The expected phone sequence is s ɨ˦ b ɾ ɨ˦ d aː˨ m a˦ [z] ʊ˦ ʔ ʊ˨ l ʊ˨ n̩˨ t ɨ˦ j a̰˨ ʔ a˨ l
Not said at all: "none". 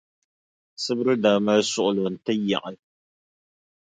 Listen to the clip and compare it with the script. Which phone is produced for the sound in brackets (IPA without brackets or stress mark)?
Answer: s